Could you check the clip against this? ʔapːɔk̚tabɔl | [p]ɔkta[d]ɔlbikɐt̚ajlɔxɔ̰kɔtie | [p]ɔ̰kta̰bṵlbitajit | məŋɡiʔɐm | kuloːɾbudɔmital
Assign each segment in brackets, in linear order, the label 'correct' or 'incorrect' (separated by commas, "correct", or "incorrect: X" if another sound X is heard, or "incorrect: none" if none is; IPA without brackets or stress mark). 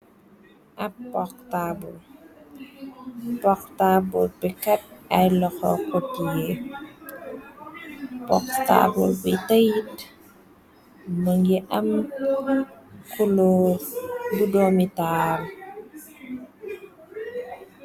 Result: correct, incorrect: b, correct